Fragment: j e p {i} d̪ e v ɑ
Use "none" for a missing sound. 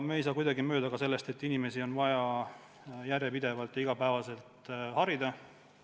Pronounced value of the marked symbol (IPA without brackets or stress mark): i